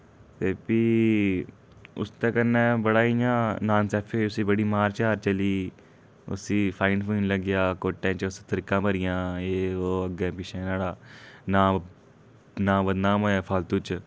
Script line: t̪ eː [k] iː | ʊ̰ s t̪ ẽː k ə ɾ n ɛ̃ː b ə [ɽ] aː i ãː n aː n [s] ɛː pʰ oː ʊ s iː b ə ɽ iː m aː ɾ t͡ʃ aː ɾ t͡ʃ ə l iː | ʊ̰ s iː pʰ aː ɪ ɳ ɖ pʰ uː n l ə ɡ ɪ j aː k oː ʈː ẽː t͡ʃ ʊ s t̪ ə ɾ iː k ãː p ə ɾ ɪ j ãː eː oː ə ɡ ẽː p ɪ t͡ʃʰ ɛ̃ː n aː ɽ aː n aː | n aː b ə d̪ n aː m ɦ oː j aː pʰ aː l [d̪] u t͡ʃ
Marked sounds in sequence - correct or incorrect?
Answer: incorrect: p, correct, correct, incorrect: t̪

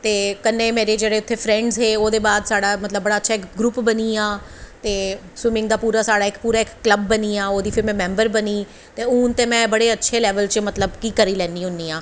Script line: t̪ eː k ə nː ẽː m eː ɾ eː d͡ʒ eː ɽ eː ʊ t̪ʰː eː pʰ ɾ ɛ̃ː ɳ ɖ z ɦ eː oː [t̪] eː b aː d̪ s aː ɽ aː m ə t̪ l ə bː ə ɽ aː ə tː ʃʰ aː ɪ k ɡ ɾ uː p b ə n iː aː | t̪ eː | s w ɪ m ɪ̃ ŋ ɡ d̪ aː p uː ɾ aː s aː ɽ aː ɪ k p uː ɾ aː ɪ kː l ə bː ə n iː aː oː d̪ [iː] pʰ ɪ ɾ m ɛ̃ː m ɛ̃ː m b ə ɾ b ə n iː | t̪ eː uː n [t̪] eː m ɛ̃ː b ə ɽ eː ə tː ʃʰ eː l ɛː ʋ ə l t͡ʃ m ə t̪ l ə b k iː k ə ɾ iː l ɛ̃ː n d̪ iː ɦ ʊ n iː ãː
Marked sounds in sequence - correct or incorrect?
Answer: incorrect: d̪, correct, correct

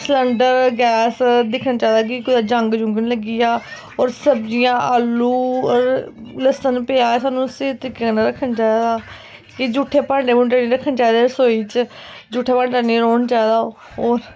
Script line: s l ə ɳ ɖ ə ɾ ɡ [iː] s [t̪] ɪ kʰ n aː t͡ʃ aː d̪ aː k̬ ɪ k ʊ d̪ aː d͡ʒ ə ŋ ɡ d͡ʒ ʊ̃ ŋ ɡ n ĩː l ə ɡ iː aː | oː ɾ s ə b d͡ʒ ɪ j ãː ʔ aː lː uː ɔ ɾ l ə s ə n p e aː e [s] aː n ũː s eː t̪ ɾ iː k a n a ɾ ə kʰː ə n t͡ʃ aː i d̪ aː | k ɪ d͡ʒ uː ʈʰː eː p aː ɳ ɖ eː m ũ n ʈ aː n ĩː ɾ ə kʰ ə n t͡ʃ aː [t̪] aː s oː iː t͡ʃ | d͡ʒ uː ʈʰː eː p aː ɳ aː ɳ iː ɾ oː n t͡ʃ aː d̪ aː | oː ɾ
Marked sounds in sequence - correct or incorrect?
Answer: incorrect: ɛː, incorrect: d̪, correct, incorrect: d̪

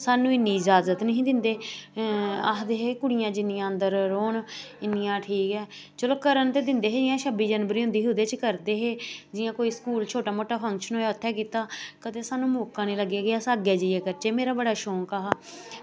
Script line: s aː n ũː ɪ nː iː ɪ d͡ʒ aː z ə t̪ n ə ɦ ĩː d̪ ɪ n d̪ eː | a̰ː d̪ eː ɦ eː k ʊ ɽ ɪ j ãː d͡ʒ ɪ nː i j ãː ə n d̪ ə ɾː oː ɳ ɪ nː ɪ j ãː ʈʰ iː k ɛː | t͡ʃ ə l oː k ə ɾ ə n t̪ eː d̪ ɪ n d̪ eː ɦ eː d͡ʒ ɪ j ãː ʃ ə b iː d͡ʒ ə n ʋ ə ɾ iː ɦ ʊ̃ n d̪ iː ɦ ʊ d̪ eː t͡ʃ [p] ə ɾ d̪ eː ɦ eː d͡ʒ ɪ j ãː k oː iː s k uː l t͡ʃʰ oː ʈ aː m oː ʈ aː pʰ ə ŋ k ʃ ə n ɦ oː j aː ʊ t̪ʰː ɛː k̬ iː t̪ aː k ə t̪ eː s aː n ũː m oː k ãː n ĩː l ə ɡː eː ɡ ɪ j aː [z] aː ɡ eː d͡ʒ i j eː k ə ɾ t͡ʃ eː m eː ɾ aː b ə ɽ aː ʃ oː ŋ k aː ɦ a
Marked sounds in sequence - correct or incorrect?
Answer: incorrect: k, incorrect: s

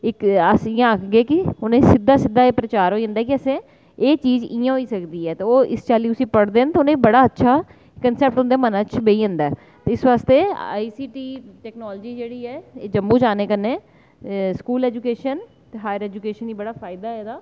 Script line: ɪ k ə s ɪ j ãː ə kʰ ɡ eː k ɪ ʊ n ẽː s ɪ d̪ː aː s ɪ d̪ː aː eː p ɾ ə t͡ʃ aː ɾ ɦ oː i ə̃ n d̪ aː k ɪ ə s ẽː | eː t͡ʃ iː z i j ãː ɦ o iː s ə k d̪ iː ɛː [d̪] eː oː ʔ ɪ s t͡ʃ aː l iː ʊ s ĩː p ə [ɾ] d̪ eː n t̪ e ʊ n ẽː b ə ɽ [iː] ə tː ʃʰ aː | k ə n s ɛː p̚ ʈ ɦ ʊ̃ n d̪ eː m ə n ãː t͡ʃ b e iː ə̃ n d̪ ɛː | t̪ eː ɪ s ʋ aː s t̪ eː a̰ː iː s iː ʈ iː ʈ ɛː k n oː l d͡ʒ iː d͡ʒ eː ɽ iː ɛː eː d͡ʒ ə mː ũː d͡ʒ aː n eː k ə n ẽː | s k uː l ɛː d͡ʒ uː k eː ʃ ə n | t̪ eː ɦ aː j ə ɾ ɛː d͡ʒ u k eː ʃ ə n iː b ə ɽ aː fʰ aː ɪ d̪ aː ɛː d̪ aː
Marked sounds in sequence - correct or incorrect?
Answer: incorrect: t̪, incorrect: ɽ, incorrect: aː

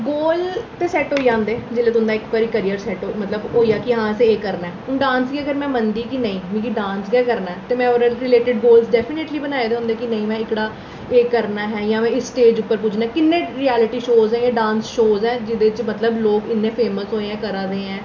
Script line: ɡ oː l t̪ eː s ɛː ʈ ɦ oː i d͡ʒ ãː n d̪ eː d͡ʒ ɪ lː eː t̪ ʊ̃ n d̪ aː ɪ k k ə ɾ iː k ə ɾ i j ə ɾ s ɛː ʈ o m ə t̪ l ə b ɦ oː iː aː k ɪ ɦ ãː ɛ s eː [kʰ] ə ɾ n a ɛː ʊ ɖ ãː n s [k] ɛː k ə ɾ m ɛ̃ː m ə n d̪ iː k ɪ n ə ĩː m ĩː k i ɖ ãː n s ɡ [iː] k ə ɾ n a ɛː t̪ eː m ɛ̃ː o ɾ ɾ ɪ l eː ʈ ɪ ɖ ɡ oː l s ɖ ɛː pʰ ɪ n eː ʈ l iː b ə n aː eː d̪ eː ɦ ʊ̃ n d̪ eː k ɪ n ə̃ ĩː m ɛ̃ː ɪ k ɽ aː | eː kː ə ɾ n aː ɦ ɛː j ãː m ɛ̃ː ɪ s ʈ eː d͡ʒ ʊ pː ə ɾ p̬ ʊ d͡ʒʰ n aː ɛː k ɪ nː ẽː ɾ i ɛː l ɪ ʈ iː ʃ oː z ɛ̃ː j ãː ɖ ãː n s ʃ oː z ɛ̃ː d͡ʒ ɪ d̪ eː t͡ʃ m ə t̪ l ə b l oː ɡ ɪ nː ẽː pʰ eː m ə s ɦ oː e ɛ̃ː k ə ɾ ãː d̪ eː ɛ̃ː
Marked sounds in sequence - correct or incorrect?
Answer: incorrect: k, incorrect: ɡ, incorrect: ɛː

